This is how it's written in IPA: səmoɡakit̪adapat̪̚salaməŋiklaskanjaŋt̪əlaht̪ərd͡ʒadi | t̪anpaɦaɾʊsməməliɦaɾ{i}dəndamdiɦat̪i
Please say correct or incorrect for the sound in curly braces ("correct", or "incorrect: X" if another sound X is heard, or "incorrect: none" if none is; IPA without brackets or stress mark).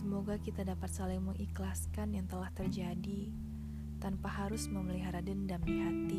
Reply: incorrect: a